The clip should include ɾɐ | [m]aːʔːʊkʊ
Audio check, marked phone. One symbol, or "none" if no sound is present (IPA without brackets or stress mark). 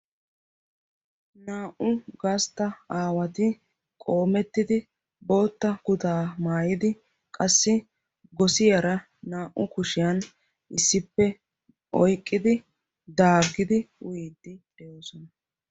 n